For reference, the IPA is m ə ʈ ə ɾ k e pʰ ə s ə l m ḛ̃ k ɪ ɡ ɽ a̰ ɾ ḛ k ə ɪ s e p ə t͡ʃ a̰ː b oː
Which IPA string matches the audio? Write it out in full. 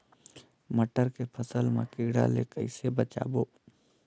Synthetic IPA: m ə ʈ ə ɾ k e pʰ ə s ə l m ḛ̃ k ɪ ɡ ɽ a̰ l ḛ k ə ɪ s e b ə t͡ʃ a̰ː b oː